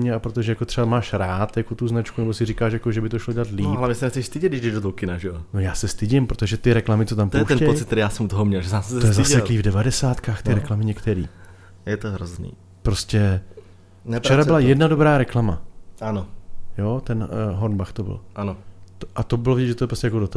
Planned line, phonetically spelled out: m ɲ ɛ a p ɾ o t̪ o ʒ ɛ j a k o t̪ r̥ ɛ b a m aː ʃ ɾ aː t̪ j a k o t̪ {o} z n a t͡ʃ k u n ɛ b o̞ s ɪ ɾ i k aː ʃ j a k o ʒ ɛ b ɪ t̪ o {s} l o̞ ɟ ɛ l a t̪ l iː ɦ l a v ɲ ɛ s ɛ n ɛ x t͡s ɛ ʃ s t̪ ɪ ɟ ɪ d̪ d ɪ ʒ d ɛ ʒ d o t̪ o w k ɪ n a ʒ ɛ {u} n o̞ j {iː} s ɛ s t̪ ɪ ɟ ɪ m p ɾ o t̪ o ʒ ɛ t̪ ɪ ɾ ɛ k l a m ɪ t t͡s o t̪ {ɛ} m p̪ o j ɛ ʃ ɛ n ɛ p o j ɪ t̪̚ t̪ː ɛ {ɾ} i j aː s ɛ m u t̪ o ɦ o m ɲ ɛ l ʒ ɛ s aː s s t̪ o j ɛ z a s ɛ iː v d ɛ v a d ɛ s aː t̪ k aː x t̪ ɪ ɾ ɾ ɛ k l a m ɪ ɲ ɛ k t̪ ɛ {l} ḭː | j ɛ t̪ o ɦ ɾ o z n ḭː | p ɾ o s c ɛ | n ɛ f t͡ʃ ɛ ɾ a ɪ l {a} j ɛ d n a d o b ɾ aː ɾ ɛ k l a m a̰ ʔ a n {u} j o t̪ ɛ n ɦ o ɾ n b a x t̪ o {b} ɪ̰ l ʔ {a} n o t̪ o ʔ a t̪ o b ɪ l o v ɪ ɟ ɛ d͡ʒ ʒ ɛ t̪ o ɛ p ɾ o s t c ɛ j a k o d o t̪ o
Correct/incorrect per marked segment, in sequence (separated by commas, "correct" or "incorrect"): incorrect, incorrect, incorrect, incorrect, incorrect, correct, incorrect, correct, incorrect, correct, correct